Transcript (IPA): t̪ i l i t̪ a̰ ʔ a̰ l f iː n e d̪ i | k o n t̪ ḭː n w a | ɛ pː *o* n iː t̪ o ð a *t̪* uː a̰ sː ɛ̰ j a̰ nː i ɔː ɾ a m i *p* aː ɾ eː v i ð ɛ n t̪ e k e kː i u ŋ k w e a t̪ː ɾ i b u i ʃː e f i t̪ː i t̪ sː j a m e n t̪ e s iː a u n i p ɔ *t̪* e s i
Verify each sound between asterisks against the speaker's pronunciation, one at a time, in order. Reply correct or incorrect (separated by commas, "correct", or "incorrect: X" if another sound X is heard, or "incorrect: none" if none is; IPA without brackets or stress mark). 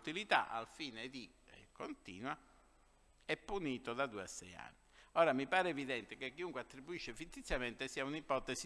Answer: incorrect: u, incorrect: d̪, correct, correct